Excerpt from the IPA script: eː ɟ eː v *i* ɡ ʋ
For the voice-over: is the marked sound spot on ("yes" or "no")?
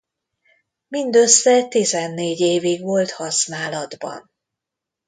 yes